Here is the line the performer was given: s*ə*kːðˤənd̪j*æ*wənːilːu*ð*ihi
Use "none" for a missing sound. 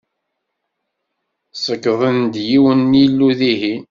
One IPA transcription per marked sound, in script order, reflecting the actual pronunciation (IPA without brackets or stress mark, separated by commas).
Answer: ə, i, ð